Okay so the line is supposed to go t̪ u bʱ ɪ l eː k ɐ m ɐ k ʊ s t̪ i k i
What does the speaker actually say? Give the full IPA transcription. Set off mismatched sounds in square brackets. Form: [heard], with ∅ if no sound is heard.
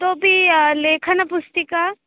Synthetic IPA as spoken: t̪ [o] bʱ [i] l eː [kʰ] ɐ [n] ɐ [p] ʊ s t̪ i k [a]